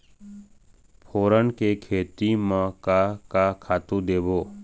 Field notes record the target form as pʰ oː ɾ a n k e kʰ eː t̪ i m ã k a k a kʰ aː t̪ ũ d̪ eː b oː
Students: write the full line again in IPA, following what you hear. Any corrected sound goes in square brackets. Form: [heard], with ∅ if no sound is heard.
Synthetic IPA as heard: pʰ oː ɾ [ə] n k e kʰ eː t̪ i m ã k a k a kʰ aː t̪ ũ d̪ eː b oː